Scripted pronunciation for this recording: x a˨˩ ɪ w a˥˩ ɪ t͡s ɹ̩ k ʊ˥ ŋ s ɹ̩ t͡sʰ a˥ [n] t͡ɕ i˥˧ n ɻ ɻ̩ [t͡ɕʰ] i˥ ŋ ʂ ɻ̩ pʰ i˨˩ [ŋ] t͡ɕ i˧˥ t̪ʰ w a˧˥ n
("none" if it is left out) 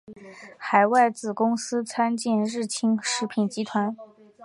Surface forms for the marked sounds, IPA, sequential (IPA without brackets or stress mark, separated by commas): n, t͡ɕʰ, n